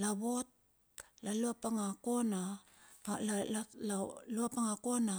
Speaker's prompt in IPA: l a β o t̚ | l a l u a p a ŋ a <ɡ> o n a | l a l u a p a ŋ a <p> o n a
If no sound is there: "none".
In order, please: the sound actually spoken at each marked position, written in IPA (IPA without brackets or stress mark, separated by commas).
k, k